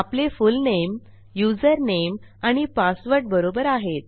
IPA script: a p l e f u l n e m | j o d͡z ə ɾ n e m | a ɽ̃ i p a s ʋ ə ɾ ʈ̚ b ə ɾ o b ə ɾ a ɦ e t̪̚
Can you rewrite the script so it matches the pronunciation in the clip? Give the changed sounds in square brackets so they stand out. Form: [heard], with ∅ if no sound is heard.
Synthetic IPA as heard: a p l e f u l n e m | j [u] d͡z ə ɾ n e m | a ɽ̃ i p a s ʋ ə ɾ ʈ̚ b ə ɾ o b ə ɾ a ɦ e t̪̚